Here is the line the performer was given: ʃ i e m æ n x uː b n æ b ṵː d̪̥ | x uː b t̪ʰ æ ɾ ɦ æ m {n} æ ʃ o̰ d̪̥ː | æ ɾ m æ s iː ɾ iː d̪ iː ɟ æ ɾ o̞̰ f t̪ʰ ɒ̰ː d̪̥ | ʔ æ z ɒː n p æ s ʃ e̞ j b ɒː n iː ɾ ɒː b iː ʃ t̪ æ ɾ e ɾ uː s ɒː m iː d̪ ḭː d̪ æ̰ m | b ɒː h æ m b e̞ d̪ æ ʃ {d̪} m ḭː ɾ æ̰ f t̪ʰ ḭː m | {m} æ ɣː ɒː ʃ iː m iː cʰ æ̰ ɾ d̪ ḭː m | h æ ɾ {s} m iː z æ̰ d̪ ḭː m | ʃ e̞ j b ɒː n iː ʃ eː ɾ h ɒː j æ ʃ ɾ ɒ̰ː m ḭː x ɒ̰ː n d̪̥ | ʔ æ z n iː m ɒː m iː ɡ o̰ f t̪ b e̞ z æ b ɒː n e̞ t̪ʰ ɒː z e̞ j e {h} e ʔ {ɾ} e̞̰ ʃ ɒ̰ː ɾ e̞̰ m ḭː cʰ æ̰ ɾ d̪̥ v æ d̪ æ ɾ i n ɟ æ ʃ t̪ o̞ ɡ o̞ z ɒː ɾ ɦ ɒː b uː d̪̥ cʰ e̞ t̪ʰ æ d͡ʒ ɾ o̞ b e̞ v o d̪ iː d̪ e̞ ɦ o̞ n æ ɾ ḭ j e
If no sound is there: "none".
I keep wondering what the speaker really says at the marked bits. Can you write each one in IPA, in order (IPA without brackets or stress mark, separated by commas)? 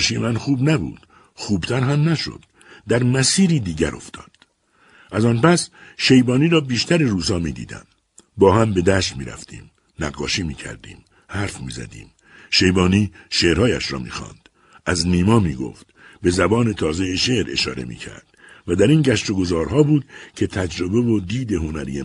n, t̪, n, f, ʃ, ɾ